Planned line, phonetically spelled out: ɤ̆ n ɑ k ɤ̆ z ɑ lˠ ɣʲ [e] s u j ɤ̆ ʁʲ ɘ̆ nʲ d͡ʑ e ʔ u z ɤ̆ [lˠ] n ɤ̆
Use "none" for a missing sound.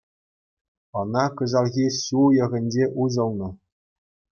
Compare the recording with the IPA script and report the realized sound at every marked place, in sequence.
i, lˠ

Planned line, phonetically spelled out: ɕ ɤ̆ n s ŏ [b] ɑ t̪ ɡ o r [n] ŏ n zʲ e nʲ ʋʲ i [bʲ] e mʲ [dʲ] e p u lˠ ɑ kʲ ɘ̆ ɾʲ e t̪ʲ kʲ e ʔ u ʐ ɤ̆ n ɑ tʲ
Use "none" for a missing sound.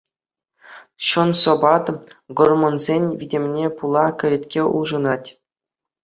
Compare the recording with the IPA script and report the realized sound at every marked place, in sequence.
b, m, dʲ, nʲ

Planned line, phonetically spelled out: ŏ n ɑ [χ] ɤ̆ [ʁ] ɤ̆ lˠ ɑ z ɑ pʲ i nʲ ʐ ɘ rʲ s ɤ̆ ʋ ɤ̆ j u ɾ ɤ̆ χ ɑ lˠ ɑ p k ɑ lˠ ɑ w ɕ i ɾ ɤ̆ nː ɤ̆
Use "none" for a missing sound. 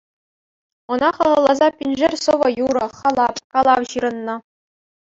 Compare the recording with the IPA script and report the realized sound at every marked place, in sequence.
χ, ʁ

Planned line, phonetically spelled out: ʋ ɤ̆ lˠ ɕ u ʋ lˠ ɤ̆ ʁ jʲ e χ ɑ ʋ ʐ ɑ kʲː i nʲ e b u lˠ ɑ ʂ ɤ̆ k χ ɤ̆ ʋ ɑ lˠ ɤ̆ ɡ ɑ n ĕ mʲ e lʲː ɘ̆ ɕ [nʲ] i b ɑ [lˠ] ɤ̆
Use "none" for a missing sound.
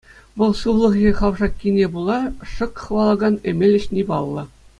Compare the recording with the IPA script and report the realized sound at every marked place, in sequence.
nʲ, lˠː

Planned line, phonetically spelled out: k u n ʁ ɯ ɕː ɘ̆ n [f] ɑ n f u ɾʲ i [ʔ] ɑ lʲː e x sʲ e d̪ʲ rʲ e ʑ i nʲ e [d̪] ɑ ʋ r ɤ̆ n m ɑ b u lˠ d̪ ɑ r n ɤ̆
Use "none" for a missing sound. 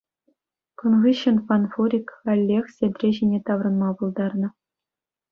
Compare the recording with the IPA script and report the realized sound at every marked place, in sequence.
f, k, t̪

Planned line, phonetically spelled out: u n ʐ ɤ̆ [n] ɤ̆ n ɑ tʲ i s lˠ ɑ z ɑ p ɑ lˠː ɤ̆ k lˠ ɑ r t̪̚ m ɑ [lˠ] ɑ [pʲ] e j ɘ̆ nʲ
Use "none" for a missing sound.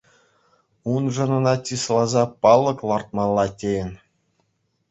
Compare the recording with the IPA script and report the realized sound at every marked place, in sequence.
n, lˠː, tʲ

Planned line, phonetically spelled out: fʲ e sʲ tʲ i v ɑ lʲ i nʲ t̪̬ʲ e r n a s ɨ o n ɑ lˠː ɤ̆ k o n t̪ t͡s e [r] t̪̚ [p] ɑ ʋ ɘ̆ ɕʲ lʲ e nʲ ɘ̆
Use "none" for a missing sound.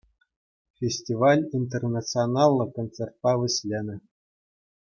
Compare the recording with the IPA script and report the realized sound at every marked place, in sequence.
r, p

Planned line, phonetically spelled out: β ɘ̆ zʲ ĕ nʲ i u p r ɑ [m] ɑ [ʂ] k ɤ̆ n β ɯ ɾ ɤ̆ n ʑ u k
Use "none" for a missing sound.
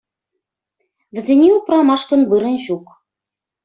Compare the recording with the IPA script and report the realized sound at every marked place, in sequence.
m, ʃ

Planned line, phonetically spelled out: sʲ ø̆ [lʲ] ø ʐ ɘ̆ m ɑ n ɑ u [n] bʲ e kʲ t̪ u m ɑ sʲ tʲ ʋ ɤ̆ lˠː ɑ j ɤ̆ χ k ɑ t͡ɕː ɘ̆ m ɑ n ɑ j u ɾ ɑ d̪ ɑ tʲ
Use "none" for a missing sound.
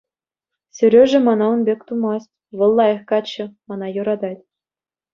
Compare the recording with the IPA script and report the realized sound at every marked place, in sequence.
ɾʲ, n

